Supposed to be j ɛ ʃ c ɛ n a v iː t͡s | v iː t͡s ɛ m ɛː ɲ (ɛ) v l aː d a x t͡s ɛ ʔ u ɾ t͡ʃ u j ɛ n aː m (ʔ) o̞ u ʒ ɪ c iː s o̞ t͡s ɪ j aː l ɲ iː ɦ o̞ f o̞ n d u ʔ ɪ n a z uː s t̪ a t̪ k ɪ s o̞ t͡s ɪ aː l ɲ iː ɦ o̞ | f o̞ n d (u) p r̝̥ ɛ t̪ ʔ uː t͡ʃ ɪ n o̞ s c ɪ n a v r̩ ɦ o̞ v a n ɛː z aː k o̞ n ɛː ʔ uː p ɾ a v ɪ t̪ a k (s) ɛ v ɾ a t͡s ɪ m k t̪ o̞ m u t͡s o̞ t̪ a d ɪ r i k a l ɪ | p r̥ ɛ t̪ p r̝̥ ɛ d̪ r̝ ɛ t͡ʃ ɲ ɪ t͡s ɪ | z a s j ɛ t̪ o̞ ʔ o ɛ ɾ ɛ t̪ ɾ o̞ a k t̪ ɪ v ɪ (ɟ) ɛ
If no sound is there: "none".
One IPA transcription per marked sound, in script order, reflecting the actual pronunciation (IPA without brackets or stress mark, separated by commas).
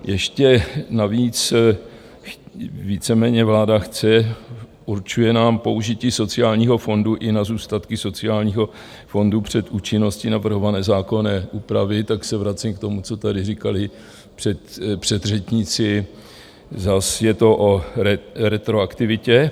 ɛ, p, u, s, c